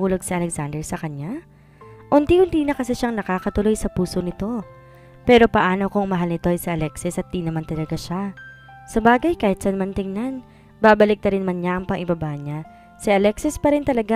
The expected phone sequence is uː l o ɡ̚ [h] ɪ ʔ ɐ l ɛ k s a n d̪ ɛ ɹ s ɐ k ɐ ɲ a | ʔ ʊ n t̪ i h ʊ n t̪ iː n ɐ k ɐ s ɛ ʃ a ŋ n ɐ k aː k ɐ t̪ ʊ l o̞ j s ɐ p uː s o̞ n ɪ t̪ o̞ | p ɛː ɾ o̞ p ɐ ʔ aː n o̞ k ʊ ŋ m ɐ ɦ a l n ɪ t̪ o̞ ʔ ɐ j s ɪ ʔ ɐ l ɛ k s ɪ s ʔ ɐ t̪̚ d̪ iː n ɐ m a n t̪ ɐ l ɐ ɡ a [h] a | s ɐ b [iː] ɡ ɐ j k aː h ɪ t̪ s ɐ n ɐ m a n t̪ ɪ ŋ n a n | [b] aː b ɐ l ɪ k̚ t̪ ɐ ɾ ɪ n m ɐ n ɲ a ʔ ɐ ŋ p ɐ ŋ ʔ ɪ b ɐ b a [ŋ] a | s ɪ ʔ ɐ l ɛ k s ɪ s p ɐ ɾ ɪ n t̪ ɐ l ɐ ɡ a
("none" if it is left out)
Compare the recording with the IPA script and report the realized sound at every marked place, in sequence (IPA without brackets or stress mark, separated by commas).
s, ʃ, aː, b, ɲ